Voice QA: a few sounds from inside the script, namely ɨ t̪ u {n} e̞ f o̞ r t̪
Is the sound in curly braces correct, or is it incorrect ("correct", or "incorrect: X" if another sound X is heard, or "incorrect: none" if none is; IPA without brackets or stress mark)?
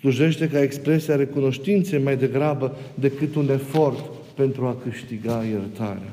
correct